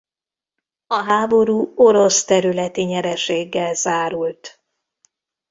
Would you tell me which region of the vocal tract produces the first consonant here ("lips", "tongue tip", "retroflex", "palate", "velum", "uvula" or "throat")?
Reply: throat